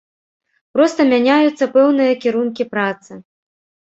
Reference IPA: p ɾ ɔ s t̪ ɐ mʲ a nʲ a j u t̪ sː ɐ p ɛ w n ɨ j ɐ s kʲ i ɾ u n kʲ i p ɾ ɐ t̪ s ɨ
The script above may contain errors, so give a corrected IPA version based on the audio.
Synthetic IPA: p ɾ ɔ s t̪ ɐ mʲ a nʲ a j u t̪ sː ɐ p ɛ w n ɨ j ɐ kʲ i ɾ u n kʲ i p ɾ a t̪ s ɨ